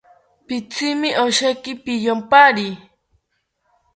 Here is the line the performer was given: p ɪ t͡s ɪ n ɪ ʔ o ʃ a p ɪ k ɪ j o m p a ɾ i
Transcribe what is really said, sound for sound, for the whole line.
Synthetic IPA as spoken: p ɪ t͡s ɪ m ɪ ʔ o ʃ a k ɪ p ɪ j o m p a ɾ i